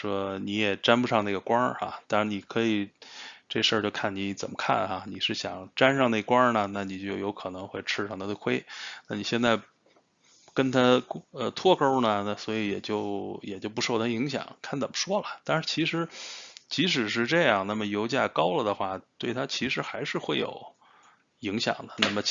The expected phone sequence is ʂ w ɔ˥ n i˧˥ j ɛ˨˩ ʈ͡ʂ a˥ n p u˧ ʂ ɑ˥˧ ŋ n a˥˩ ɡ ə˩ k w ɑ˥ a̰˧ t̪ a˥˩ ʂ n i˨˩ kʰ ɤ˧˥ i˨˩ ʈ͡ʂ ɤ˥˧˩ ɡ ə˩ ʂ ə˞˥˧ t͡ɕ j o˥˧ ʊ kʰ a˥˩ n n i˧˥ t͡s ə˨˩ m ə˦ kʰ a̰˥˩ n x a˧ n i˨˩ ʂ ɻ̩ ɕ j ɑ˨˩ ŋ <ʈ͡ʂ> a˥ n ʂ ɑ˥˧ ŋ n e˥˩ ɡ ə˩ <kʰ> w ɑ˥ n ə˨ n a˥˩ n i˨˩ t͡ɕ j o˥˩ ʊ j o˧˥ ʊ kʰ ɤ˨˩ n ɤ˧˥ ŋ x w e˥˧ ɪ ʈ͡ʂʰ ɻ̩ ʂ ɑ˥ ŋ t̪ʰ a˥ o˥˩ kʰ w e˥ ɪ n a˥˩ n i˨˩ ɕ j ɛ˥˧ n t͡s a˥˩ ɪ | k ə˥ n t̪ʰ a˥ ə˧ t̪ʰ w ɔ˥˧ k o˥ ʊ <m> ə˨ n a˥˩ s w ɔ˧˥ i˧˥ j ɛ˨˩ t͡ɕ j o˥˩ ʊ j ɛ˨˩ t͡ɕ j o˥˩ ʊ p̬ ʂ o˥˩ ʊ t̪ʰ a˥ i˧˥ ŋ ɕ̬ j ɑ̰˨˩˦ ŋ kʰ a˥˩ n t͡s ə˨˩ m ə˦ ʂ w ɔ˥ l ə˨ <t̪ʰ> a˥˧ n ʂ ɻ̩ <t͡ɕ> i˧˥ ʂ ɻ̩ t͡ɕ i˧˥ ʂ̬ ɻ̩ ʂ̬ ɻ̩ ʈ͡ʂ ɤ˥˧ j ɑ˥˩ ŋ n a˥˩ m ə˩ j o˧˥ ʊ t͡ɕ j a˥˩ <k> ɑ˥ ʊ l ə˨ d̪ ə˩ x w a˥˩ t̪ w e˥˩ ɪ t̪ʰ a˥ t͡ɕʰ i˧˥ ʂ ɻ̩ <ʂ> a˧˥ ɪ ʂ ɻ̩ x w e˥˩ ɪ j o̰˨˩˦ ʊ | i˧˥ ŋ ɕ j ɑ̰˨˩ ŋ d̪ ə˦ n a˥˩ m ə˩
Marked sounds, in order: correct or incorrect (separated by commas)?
correct, incorrect, incorrect, incorrect, incorrect, correct, incorrect